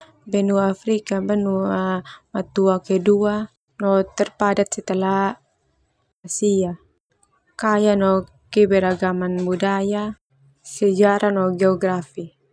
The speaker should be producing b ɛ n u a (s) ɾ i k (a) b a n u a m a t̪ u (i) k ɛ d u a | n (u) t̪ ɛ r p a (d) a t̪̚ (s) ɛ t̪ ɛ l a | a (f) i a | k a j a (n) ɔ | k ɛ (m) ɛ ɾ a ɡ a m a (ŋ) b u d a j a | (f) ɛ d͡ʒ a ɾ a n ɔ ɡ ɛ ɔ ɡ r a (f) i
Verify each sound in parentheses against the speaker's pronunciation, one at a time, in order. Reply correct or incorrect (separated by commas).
incorrect, correct, incorrect, incorrect, correct, correct, incorrect, correct, incorrect, incorrect, incorrect, correct